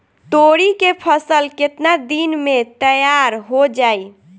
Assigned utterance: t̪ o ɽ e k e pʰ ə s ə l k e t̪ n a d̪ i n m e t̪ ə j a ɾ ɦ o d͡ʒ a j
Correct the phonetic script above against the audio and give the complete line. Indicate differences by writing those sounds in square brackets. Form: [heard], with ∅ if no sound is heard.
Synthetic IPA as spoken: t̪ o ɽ [i] k e pʰ ə s ə l k e t̪ n a d̪ i n m e t̪ ə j a ɾ ɦ o d͡ʒ a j